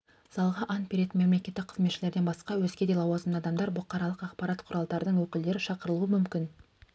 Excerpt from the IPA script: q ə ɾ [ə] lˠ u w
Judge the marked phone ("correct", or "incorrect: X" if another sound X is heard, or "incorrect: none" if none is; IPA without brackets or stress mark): correct